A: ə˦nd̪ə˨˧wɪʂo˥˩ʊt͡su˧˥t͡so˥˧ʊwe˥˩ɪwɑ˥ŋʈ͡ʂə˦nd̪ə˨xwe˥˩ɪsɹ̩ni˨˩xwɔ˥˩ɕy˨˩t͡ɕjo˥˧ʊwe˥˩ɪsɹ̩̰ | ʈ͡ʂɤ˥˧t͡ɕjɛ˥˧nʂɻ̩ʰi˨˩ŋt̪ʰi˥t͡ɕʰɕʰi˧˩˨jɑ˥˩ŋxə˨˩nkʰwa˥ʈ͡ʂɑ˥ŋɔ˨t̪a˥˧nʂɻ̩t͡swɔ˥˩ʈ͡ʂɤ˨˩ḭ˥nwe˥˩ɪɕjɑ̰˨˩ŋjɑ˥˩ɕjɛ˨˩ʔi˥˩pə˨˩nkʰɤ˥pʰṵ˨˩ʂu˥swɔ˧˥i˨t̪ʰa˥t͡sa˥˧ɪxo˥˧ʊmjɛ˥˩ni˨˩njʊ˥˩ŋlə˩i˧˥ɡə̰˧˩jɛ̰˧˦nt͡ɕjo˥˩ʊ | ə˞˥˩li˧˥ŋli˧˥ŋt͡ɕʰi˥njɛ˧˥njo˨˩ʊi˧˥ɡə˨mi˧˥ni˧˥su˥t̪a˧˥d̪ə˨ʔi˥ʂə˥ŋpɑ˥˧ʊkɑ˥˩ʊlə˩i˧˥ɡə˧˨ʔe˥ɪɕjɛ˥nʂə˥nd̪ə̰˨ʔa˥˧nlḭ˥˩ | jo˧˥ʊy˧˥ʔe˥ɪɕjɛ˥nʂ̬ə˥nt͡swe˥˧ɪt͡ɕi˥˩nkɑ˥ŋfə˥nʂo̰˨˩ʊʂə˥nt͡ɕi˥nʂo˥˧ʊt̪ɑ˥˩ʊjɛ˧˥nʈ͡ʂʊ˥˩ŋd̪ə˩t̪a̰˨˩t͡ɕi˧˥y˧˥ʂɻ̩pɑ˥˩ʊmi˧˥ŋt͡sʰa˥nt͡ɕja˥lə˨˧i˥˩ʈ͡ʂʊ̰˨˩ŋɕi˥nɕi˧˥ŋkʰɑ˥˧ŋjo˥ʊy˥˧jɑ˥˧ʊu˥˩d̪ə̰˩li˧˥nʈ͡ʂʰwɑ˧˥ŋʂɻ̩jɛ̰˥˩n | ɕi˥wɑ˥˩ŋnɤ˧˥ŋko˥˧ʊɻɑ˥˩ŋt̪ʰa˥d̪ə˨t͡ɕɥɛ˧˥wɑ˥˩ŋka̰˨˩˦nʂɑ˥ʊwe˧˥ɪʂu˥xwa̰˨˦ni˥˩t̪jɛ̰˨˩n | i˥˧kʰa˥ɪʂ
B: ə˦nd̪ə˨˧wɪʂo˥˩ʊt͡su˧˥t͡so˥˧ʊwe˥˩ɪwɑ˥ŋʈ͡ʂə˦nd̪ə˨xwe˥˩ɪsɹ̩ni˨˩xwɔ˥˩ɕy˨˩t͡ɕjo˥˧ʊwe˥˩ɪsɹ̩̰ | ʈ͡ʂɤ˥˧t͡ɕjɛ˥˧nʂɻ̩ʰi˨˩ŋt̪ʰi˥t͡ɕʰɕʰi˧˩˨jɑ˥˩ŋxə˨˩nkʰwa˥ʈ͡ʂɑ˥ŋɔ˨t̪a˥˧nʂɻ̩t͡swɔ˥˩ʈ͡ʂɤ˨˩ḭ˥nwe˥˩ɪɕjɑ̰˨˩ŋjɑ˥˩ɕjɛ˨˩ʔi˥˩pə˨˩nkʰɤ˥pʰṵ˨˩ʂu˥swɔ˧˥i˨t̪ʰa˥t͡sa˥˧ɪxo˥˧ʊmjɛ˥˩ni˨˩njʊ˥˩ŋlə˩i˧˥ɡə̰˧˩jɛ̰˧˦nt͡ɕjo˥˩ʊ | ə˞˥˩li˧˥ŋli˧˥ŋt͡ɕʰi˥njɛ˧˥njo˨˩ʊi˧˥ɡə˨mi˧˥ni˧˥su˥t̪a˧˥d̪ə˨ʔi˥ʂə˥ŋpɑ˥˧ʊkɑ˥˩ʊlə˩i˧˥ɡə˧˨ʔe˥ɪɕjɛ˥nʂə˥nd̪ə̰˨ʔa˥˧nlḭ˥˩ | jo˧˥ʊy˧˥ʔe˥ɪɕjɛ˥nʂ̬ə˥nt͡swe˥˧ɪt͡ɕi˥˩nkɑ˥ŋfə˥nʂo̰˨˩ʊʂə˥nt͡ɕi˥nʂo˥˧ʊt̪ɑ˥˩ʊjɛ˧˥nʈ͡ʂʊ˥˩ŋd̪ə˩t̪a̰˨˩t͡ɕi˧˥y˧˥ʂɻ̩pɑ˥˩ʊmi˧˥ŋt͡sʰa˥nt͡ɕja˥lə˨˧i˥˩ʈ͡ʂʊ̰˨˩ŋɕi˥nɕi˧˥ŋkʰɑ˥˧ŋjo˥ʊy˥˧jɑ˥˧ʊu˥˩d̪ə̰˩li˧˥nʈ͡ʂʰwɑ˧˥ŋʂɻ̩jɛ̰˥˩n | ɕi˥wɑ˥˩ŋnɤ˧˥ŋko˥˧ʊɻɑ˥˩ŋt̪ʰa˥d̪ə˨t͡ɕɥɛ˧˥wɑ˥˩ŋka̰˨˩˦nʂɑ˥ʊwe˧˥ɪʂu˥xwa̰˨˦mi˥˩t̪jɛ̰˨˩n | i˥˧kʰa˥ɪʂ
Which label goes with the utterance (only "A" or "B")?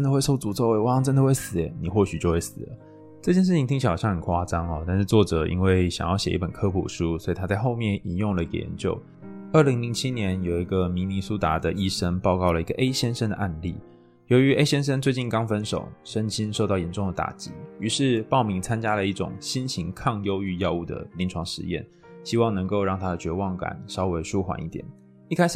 A